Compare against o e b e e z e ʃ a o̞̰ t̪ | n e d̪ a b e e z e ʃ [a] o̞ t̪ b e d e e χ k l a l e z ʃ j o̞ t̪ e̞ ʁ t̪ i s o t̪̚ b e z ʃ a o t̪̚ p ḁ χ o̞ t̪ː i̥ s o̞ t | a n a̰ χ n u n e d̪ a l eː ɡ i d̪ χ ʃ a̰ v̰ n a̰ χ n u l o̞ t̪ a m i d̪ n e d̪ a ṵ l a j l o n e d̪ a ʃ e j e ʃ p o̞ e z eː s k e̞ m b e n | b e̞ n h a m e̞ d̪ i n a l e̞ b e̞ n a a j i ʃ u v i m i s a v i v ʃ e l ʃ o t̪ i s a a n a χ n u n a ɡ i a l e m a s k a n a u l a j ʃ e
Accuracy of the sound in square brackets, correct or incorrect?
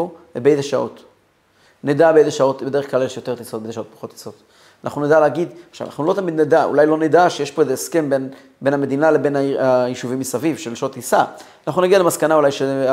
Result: correct